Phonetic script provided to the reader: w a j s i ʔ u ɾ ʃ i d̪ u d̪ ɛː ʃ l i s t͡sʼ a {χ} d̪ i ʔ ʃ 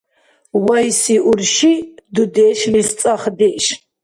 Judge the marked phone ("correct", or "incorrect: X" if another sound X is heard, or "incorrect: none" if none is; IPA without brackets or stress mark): correct